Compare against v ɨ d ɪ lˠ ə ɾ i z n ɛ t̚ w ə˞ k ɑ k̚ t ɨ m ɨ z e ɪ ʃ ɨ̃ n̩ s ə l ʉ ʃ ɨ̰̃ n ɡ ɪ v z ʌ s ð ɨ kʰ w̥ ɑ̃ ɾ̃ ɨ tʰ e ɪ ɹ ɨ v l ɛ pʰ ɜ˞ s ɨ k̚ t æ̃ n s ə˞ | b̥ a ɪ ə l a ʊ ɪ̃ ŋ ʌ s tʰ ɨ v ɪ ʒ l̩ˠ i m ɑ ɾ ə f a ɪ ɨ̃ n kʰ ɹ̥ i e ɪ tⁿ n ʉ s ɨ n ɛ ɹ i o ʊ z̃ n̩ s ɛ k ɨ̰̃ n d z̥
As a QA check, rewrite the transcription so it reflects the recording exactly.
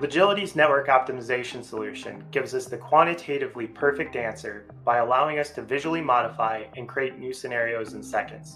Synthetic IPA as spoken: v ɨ d͡ʒ ɪ lˠ ə ɾ i z n ɛ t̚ w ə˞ k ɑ p̚ t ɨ m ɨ z e ɪ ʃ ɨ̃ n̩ s ə l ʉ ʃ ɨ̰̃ n ɡ ɪ v z ʌ s ð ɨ kʰ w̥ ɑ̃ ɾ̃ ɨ tʰ e ɪ ɾ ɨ v l i pʰ ɜ˞ f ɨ k̚ t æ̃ n s ə˞ | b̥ a ɪ ə l a ʊ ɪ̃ ŋ ʌ s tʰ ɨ v ɪ ʒ l̩ˠ i m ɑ ɾ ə f a ɪ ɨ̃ n kʰ ɹ̥ i e ɪ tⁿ n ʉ s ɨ n ɛ ɹ i o ʊ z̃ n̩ s ɛ k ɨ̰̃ n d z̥